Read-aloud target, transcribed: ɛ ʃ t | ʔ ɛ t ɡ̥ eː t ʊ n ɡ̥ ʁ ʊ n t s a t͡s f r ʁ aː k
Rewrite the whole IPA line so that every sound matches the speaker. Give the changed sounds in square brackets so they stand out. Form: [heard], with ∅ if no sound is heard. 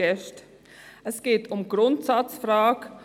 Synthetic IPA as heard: ɛ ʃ t | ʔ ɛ [s] ɡ̥ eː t ʊ [m] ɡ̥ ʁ ʊ n t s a t͡s f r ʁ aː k